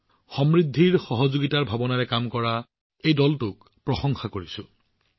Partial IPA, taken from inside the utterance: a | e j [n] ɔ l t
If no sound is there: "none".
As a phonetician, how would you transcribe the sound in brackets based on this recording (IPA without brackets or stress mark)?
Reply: d